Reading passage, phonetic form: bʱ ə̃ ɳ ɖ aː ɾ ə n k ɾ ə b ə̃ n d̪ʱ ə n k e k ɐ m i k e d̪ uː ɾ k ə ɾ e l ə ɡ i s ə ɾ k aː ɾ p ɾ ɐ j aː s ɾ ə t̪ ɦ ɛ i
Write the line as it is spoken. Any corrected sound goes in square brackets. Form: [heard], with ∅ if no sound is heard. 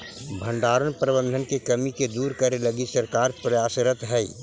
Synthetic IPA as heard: bʱ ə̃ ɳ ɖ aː ɾ ə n [p] ɾ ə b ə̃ n d̪ʱ ə n k e k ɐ m i k e d̪ uː ɾ k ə ɾ e l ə ɡ i s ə ɾ k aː ɾ p ɾ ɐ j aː s ɾ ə t̪ ɦ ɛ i